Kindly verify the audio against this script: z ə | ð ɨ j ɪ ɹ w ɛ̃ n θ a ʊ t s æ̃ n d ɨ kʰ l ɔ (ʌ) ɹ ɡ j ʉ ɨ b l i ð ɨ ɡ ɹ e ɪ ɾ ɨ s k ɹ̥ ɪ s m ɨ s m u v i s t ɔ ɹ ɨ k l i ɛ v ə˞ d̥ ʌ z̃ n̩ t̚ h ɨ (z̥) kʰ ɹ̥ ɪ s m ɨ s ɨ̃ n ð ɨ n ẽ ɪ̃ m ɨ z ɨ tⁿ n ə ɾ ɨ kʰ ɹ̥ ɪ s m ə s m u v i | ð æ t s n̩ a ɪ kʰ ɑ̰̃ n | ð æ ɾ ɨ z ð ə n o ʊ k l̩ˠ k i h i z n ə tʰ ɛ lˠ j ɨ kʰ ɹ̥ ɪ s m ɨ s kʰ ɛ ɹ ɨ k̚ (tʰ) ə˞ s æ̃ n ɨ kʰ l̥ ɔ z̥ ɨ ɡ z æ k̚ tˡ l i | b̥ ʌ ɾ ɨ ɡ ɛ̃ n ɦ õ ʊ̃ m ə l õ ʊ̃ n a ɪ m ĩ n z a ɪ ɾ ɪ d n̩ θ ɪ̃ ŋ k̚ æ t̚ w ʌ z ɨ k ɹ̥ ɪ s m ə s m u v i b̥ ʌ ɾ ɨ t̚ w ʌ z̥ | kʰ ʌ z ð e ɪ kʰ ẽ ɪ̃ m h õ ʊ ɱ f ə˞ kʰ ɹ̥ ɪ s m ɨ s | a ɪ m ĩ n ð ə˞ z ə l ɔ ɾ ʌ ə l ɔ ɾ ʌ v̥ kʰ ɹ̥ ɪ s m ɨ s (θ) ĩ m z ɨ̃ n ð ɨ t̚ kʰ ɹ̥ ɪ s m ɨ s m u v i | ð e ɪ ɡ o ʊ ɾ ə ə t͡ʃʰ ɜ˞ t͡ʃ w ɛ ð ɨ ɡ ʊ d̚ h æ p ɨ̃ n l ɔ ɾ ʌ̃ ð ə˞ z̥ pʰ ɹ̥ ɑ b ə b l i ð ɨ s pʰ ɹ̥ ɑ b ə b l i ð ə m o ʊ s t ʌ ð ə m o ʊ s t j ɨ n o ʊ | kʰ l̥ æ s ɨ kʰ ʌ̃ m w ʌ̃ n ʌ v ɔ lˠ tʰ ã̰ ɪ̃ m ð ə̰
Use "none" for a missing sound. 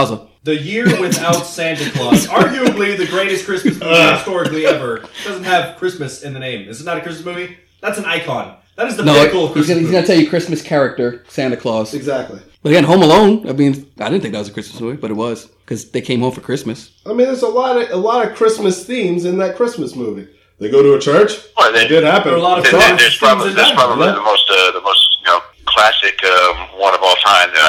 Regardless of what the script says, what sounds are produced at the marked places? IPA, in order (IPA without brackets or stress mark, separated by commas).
ɑ, v̥, t, θ